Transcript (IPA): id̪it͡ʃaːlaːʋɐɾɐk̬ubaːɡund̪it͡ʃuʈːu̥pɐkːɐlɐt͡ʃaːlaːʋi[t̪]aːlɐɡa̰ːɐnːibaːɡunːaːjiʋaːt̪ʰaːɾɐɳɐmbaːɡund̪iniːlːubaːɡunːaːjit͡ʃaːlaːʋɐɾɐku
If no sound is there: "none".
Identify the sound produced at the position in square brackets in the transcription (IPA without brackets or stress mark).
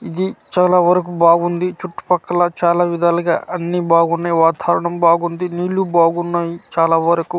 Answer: d̪